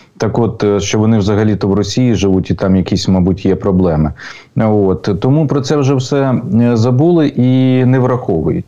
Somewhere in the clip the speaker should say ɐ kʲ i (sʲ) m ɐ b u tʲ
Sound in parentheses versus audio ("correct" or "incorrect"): correct